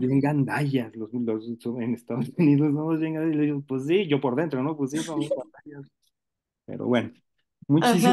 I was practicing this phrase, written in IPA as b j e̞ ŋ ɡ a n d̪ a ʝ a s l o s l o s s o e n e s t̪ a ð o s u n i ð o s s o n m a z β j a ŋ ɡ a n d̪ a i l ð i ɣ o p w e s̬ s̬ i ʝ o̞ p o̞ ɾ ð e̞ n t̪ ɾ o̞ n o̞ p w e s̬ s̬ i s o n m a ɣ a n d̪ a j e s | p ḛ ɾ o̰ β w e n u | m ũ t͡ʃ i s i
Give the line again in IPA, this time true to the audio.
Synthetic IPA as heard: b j e̞ ŋ ɡ a n d̪ a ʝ a s l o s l o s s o e n e s t̪ a ð o s u n i ð o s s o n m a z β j e ŋ ɡ a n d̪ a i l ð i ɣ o p w e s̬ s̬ i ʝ o̞ p o̞ ɾ ð e̞ n t̪ ɾ o̞ n o̞ p w e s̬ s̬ i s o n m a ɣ a n d̪ a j a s | p ḛ ɾ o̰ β w e n o | m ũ t͡ʃ i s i

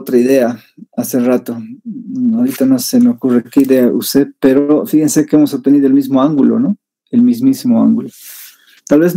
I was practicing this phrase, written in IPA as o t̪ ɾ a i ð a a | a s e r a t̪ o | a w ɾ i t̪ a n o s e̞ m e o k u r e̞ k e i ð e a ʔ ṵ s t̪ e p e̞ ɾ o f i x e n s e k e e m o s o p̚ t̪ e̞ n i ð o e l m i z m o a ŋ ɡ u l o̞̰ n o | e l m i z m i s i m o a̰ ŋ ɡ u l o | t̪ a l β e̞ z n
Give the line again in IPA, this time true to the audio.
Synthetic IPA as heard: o t̪ ɾ a i ð e a | a s e r a t̪ o | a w ɾ i t̪ a n o s e̞ m e o k u r e̞ k e i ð e a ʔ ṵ s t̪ e p e̞ ɾ o f i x e n s e k e e m o s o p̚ t̪ e̞ n i ð o e l m i z m o a ŋ ɡ u l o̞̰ n o | e l m i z m i s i m o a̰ ŋ ɡ u l o | t̪ a l β e̞ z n

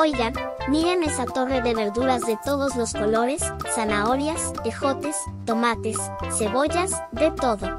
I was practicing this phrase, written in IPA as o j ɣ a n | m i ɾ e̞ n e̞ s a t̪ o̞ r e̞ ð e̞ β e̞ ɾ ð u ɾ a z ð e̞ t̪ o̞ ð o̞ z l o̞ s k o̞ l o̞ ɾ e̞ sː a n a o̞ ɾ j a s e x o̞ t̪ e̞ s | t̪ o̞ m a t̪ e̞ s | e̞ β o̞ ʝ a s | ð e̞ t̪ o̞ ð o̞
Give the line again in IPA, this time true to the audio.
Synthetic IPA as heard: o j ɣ a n | m i ɾ e̞ n e̞ s a t̪ o̞ r e̞ ð e̞ β e̞ ɾ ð u ɾ a z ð e̞ t̪ o̞ ð o̞ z l o̞ s k o̞ l o̞ ɾ e̞ sː a n a o̞ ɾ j a s e x o̞ t̪ e̞ s | t̪ o̞ m a t̪ e̞ sː | e̞ β o̞ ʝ a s | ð e̞ t̪ o̞ ð o̞

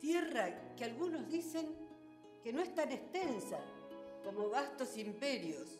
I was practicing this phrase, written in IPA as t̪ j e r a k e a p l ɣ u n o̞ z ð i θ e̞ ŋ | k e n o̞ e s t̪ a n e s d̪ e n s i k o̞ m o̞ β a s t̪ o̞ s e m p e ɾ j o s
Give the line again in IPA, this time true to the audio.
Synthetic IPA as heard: t̪ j e r a k e a l ɣ u n o̞ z ð i s e̞ ŋ | k e n o̞ e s t̪ a n e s t̪ e n s a k o̞ m o̞ β a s t̪ o̞ s i m p e ɾ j o s

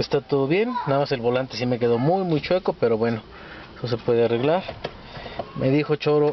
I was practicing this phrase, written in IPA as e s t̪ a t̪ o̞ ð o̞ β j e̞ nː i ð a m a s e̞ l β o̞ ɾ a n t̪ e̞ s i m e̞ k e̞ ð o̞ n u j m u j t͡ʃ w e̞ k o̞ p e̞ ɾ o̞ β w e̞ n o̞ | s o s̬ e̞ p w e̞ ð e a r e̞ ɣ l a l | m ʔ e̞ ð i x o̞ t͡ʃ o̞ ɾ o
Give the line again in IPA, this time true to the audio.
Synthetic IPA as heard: e s t̪ a t̪ o̞ ð o̞ β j e̞ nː a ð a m a s e̞ l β o̞ l a n t̪ e̞ s i m e̞ k e̞ ð o̞ m u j m u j t͡ʃ w e̞ k o̞ p e̞ ɾ o̞ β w e̞ n o̞ | s o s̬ e̞ p w e̞ ð e a r e̞ ɣ l a ɾ | m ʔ e̞ ð i x o̞ t͡ʃ o̞ ɾ o

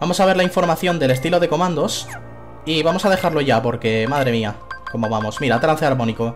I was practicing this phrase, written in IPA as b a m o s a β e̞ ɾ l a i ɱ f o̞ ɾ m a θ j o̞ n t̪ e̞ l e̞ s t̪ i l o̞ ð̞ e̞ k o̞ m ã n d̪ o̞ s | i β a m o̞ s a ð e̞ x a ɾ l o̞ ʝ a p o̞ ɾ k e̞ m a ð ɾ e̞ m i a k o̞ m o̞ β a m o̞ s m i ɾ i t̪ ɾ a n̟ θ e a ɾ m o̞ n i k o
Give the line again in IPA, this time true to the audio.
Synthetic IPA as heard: b a m o s a β e̞ ɾ l a i ɱ f o̞ ɾ m a θ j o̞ n d̪ e̞ l e̞ s t̪ i l o̞ ð̞ e̞ k o̞ m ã n d̪ o̞ s | i β a m o̞ s a ð e̞ x a ɾ l o̞ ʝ a p o̞ ɾ k e̞ m a ð ɾ e̞ m i a k o̞ m o̞ β a m o̞ s m i ɾ a t̪ ɾ a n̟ θ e a ɾ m o̞ n i k o

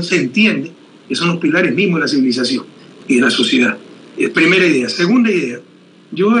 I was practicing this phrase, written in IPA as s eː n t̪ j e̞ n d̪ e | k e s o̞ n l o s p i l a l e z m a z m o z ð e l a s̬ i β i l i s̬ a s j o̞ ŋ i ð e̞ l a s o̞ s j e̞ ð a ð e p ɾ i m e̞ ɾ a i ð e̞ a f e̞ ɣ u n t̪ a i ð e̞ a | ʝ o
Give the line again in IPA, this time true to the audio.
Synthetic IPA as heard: s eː n t̪ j e̞ n d̪ e | k e s o̞ n l o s p i l a ɾ e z m i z m o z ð e l a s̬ i β i l i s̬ a s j o̞ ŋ i ð e̞ l a s o̞ s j e̞ ð a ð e p ɾ i m e̞ ɾ a i ð e̞ a s e̞ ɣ u n d̪ a i ð e̞ a | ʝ o

